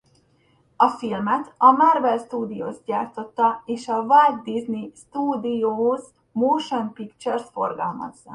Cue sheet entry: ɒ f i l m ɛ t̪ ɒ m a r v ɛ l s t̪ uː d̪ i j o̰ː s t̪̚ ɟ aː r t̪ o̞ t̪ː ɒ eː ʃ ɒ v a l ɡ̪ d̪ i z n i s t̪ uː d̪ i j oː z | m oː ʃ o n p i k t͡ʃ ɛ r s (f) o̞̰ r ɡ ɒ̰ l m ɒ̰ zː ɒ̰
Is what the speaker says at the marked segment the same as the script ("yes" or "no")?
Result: yes